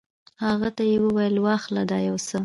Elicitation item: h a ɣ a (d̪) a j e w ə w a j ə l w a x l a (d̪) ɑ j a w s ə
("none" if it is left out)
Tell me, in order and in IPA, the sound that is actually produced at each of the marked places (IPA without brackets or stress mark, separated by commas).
t̪, d̪